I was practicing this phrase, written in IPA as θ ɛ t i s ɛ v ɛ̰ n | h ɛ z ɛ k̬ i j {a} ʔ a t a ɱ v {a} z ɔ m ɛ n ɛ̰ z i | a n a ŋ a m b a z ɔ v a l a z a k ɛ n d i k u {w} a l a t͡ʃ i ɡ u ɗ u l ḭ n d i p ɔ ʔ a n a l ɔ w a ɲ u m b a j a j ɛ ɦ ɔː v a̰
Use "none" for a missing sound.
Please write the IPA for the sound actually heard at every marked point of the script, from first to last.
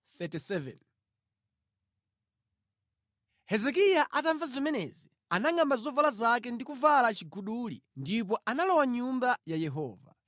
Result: a, a, v

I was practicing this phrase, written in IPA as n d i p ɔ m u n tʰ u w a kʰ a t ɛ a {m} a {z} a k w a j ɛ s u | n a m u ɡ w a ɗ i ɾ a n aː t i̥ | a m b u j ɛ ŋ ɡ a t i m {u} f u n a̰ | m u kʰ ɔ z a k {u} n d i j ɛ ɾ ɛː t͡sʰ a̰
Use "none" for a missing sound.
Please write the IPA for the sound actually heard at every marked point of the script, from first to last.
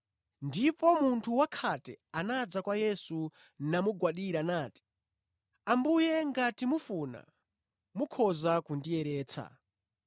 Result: n, d͡z, u, u

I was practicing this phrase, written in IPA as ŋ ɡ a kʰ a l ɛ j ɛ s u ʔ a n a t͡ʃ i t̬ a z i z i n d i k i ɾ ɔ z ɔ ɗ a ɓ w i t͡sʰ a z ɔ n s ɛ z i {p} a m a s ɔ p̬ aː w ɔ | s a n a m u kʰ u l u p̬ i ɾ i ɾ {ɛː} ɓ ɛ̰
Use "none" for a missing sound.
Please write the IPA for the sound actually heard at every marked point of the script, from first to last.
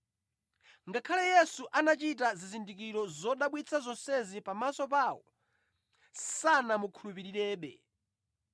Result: p, ɛː

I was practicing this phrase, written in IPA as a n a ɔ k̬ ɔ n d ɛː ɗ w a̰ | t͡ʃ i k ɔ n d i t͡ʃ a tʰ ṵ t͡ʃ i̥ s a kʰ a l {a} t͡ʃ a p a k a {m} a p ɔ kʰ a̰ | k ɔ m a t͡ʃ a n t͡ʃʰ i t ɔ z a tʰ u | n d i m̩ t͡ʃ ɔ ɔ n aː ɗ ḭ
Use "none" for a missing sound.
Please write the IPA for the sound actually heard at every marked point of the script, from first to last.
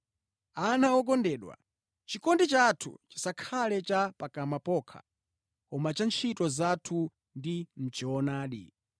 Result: ɛ, m

